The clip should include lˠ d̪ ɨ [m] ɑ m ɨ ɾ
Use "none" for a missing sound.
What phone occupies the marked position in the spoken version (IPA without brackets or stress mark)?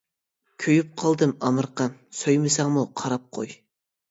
m